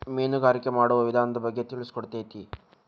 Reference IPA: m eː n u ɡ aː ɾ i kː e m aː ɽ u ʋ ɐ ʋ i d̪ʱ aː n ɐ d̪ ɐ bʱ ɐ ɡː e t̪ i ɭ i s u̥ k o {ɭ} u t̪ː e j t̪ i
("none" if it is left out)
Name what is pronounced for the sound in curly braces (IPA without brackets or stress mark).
ɽ